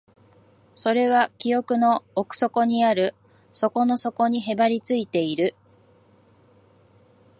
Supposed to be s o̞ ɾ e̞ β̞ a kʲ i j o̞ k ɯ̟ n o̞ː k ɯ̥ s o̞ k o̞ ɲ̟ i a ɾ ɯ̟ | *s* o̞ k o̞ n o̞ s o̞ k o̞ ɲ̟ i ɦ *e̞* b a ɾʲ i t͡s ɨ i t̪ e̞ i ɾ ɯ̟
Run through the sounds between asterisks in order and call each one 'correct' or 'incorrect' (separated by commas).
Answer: correct, correct